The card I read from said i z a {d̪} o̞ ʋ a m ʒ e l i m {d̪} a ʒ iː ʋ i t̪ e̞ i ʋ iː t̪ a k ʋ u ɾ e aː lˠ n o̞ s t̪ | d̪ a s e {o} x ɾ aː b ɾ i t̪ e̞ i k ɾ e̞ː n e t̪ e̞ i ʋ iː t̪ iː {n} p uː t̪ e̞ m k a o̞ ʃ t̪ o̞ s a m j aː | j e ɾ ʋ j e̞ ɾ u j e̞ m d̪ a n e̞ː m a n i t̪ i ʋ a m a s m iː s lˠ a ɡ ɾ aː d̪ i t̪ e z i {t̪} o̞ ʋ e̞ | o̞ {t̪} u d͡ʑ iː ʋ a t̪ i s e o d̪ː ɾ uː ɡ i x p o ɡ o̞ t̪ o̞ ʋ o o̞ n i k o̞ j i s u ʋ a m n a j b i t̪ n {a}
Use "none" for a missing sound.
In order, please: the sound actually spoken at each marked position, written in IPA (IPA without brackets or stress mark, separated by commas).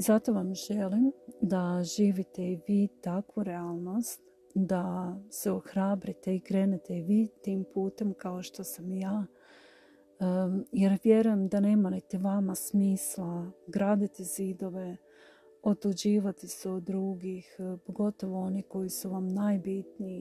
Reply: t̪, d̪, o, m, d̪, t̪, i